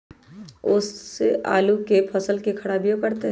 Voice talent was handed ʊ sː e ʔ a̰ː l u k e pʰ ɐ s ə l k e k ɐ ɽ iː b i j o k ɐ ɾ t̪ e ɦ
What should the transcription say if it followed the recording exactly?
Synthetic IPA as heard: ʊ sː e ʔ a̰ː l u k e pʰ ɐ s ə l k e kʰ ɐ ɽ aː b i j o k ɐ ɾ t̪ e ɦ